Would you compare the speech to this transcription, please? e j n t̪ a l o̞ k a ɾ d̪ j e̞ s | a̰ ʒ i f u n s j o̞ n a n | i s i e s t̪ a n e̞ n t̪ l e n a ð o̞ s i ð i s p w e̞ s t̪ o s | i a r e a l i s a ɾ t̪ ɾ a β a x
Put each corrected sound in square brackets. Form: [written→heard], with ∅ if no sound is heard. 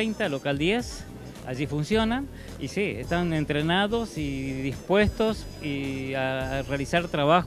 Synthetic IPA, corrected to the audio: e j n t̪ a l o̞ k a [ɾ→l] d̪ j e̞ s | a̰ ʒ i f u n s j o̞ n a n | i s i e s t̪ a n e̞ n t̪ [l→ɾ] e n a ð o̞ s i ð i s p w e̞ s t̪ o s | i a r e a l i s a ɾ t̪ ɾ a β a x